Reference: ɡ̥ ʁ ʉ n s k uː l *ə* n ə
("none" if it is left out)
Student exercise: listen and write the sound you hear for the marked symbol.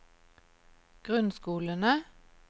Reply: ə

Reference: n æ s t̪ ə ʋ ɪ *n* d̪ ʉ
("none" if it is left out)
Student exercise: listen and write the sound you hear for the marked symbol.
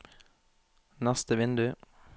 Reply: n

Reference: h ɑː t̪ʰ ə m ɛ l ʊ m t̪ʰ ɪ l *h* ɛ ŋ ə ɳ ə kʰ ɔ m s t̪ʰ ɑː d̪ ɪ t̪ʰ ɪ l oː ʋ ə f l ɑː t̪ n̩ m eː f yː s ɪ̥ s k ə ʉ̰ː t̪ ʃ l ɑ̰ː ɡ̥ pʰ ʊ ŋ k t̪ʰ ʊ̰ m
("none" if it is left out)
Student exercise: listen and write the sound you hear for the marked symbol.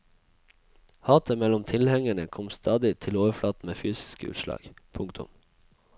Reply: h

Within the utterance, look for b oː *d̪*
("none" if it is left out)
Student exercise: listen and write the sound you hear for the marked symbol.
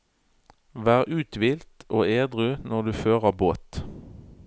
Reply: t̪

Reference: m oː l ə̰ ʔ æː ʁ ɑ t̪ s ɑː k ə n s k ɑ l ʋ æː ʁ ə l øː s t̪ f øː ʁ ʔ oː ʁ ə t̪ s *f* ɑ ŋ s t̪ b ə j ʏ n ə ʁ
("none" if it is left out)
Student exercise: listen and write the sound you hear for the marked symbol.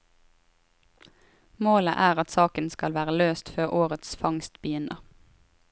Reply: f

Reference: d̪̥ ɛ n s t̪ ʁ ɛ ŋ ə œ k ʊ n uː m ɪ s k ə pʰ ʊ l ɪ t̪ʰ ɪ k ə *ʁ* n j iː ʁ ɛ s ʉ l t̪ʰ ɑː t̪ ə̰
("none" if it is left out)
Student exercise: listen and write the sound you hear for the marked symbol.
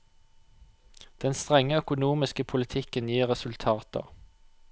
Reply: none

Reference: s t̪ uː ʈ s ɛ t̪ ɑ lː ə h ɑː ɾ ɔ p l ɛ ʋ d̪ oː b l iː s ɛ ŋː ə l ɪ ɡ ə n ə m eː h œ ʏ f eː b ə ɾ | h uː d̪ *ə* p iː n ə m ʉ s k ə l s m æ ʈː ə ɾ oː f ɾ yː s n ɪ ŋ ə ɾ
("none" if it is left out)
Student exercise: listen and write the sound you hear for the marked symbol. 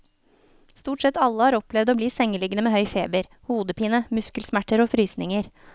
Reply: ə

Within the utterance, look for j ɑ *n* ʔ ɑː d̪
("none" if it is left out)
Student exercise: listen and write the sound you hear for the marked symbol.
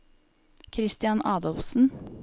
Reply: n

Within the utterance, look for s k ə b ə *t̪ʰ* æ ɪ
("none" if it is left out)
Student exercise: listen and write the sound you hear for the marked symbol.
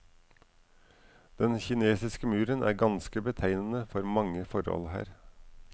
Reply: t̪ʰ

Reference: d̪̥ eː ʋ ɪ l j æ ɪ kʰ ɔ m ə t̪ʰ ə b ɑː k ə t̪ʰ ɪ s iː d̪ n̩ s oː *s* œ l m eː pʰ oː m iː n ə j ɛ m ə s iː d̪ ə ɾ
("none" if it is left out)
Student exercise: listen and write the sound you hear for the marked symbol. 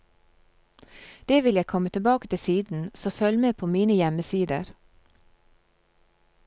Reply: f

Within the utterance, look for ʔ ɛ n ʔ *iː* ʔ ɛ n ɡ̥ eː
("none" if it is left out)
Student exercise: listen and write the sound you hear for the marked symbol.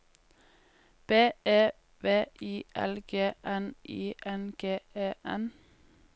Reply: iː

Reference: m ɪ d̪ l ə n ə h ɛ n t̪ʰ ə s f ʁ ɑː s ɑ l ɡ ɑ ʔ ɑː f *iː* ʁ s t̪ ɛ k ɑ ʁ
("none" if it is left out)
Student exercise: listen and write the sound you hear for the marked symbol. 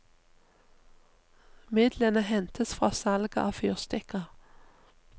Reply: yː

